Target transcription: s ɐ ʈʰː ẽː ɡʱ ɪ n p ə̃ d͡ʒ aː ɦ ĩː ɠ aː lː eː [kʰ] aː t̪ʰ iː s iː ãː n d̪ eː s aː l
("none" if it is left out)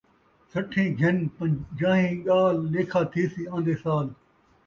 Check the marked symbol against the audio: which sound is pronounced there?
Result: kʰ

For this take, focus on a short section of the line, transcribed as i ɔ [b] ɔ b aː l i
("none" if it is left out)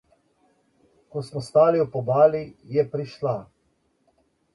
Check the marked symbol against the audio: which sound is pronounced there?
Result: p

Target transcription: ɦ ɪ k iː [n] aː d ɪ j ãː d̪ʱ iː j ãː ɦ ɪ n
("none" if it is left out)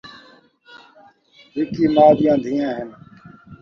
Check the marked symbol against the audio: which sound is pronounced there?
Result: m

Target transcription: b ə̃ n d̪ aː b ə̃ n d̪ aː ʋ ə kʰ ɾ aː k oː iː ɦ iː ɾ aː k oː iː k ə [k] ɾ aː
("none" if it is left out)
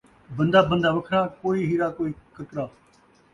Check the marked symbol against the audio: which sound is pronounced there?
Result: k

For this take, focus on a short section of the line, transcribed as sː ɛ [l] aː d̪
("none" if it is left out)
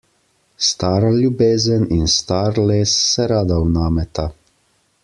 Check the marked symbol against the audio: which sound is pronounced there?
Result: ɾ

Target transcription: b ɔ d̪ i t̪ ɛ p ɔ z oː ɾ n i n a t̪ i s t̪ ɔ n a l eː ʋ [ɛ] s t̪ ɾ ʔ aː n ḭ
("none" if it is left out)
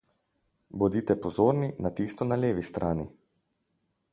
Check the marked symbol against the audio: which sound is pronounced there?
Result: i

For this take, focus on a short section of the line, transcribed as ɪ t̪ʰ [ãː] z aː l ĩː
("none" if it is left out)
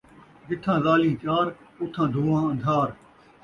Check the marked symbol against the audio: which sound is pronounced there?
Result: ãː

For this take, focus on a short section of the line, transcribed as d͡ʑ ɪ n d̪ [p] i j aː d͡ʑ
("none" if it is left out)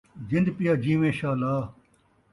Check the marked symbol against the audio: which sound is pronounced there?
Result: p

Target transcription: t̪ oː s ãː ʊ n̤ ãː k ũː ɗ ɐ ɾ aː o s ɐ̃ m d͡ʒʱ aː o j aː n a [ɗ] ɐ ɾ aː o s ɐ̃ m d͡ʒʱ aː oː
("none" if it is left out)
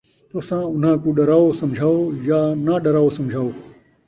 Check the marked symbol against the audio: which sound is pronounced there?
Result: ɗ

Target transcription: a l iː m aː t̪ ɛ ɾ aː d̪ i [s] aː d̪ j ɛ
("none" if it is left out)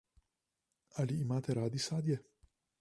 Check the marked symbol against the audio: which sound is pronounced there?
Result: s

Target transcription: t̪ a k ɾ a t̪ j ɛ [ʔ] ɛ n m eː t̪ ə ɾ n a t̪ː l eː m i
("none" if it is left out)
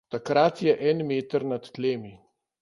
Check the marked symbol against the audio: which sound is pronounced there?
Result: ʔ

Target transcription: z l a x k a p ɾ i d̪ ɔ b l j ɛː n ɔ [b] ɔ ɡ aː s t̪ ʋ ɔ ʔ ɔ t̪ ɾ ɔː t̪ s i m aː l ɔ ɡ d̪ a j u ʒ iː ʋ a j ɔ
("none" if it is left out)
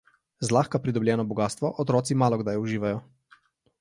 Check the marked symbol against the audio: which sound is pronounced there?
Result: b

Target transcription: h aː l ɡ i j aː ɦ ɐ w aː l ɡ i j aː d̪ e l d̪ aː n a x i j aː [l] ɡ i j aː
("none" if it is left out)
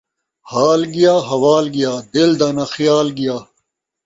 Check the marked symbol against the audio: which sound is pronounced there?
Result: l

